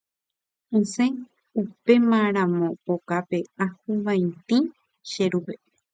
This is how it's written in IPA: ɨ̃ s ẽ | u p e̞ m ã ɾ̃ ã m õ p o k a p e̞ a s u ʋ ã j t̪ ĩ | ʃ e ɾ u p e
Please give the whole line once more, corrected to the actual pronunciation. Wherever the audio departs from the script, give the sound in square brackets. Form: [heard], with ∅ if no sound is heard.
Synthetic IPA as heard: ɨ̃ s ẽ | u p e̞ m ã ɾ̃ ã m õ p o k a p e̞ a [h] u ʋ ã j t̪ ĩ | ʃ e ɾ u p e